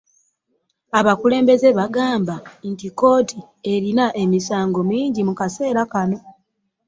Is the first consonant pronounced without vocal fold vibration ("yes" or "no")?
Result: no